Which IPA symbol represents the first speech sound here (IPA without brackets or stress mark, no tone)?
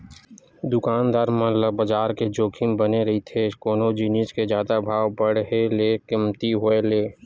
d̪